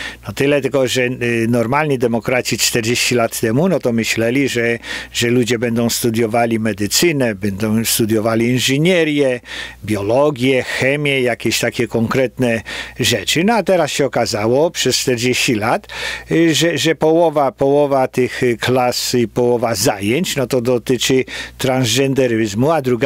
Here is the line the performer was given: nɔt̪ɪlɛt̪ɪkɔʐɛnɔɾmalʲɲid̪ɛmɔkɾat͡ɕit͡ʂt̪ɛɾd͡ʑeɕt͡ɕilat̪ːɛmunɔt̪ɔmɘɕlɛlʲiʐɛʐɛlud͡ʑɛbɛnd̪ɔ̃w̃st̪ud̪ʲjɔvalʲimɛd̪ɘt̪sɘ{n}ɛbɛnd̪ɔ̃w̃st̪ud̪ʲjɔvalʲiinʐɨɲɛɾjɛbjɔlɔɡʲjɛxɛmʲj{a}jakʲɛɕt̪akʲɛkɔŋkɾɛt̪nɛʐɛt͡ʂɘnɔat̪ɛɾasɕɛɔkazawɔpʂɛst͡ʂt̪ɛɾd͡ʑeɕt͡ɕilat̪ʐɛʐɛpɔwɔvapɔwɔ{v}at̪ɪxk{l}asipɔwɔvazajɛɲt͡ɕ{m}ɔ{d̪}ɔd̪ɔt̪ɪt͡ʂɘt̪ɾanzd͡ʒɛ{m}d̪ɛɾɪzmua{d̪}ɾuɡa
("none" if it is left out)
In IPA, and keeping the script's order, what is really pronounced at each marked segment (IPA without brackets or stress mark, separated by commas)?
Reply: n, ɛ, v, l, n, t̪, n, d̪